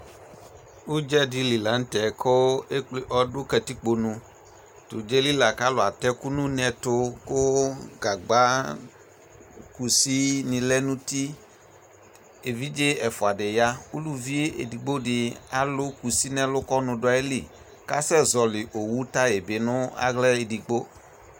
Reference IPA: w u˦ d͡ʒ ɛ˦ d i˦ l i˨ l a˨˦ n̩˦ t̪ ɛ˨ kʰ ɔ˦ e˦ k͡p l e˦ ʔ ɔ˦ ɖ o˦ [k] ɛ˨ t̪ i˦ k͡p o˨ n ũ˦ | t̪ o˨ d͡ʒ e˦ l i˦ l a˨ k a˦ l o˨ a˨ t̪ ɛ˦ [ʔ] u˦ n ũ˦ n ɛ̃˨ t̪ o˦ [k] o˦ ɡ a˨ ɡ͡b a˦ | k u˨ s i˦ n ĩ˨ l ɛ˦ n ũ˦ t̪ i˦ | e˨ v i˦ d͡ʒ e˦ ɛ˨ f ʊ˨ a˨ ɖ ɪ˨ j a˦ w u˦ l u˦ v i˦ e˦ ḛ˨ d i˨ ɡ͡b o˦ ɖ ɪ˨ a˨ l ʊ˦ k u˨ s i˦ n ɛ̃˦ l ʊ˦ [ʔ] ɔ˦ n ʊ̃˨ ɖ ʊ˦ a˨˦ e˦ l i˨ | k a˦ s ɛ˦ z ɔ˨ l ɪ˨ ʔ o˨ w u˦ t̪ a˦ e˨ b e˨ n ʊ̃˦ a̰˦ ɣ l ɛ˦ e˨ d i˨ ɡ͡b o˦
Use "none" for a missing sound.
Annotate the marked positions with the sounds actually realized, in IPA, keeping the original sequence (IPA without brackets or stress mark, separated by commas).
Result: k, k, k, k